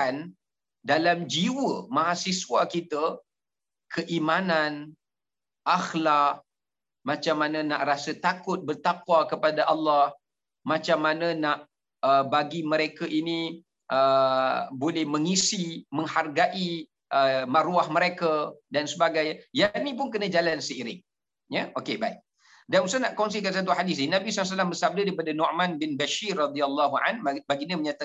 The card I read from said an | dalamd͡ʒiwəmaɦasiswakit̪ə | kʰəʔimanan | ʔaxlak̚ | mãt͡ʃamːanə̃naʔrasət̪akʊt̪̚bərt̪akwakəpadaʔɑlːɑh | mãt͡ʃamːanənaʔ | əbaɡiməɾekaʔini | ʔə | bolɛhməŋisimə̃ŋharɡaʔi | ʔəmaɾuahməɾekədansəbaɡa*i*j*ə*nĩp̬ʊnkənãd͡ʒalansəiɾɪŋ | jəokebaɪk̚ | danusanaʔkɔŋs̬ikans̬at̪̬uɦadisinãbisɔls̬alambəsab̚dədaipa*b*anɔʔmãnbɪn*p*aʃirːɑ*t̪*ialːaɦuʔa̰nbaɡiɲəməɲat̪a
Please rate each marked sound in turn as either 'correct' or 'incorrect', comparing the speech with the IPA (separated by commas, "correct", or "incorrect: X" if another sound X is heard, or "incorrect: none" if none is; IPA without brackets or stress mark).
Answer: incorrect: j, incorrect: a, incorrect: d, incorrect: b, incorrect: d̪